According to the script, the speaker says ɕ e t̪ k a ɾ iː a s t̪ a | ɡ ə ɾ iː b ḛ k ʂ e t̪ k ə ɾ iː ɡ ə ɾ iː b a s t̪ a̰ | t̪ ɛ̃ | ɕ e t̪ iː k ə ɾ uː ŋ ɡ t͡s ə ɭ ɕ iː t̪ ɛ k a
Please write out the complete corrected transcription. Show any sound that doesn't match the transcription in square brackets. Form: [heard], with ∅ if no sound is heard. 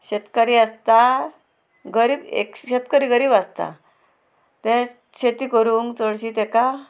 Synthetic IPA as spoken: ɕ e t̪ k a ɾ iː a s t̪ a | ɡ ə ɾ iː b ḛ k [ɕ] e t̪ k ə ɾ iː ɡ ə ɾ iː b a s t̪ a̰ | t̪ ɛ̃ | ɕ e t̪ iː k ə ɾ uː ŋ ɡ t͡s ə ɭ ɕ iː t̪ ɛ k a